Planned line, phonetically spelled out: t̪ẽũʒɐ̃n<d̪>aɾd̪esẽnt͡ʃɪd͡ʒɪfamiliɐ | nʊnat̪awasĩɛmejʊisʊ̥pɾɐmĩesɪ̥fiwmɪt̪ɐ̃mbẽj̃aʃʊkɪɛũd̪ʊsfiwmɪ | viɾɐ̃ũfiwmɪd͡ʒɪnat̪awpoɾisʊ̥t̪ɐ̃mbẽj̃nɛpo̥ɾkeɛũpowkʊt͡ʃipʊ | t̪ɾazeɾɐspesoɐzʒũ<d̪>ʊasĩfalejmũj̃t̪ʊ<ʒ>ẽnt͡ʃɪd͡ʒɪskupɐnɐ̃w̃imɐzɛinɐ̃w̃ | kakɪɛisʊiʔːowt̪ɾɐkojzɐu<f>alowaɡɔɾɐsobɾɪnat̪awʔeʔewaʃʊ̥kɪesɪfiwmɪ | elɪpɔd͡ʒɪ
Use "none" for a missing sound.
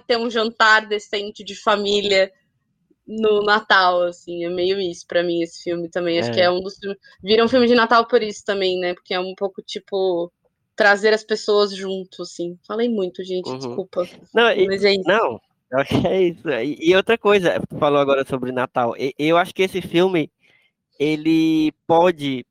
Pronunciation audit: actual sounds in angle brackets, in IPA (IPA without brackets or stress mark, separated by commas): t̪, t̪, ʒ, f